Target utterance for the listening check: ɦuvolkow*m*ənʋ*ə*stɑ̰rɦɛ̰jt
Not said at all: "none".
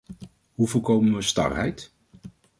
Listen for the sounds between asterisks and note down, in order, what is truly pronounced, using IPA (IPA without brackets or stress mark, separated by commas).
m, ə